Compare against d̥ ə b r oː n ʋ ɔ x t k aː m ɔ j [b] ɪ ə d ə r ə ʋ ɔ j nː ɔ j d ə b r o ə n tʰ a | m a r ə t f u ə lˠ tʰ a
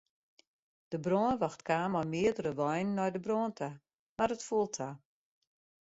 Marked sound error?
yes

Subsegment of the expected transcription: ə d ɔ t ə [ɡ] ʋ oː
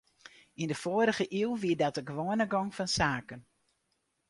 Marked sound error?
no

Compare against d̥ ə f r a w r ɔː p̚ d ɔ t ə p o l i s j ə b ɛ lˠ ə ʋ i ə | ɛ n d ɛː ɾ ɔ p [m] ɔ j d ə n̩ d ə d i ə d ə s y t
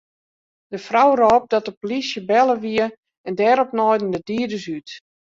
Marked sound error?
yes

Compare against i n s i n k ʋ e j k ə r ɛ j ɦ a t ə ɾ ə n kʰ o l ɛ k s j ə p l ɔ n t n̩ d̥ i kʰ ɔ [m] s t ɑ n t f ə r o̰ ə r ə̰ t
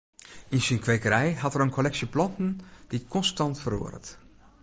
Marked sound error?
yes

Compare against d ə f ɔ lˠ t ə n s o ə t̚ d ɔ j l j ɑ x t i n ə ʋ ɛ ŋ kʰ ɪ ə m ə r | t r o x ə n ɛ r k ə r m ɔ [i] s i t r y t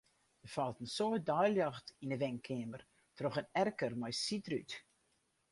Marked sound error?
yes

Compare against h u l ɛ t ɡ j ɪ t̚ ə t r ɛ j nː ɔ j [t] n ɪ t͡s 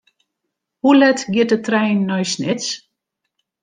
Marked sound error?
yes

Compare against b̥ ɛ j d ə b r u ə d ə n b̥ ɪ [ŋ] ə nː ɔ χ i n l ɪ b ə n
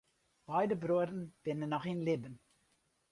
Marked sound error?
yes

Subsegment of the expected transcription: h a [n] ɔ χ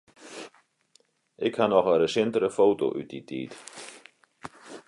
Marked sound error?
no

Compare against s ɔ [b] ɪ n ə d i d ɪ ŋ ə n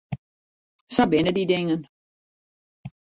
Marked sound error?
no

